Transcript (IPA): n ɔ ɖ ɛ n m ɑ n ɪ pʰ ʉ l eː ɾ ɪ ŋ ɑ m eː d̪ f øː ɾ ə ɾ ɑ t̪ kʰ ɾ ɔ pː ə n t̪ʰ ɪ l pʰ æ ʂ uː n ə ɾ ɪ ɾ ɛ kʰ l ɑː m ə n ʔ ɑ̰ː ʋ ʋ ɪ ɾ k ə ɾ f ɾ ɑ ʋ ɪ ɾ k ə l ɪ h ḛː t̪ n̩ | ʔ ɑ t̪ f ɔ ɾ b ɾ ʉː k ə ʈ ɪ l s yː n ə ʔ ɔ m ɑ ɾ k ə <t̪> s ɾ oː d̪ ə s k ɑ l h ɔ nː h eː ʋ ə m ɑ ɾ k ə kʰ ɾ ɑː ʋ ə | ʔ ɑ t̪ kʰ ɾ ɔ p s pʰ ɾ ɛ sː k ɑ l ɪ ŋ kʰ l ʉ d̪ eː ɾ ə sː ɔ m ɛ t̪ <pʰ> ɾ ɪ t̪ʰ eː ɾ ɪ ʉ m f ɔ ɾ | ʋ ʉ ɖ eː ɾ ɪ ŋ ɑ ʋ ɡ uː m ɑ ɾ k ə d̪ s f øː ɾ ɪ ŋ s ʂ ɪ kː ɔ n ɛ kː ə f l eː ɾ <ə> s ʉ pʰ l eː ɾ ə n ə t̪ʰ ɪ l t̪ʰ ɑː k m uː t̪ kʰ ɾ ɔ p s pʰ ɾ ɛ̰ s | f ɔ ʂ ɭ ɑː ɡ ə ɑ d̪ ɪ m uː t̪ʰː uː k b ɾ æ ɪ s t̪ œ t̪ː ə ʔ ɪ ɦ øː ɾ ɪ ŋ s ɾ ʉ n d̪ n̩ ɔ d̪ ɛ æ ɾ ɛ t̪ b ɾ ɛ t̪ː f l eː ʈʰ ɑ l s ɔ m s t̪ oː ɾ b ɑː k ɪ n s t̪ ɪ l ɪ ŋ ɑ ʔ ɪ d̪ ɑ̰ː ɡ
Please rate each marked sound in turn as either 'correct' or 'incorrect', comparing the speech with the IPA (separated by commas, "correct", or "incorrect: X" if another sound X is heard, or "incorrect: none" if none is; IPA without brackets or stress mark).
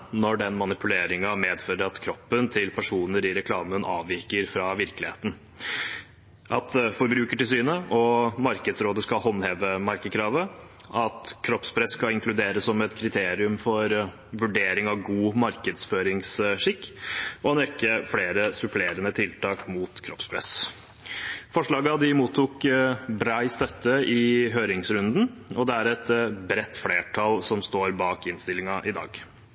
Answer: incorrect: d̪, incorrect: kʰ, correct